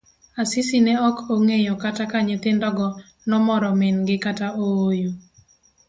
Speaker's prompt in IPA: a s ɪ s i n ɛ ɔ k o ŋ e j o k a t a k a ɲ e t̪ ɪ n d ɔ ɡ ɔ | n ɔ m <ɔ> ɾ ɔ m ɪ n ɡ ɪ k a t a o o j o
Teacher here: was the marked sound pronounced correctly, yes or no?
yes